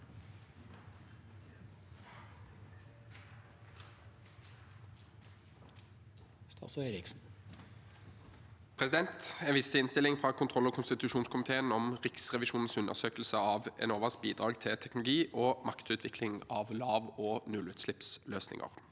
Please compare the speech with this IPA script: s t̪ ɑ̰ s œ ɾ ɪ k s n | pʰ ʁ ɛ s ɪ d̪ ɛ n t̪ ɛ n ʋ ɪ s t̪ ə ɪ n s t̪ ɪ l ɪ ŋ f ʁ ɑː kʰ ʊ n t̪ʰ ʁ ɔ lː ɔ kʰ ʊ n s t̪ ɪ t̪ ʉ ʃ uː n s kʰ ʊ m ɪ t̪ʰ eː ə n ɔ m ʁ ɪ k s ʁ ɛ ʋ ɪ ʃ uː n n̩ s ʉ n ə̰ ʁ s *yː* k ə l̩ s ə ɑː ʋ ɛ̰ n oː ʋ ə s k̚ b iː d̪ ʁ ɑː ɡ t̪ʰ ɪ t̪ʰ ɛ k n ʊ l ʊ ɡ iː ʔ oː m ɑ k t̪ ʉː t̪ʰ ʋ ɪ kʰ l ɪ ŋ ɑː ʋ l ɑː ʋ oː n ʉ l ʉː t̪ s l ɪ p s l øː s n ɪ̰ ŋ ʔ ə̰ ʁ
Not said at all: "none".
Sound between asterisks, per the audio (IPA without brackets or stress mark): øː